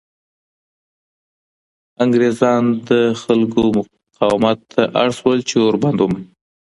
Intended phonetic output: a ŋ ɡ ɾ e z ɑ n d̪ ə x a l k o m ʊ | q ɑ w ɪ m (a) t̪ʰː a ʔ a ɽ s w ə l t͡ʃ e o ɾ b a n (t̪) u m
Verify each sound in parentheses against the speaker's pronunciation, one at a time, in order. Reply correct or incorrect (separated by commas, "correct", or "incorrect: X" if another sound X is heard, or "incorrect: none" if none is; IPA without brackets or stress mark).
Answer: correct, incorrect: d̪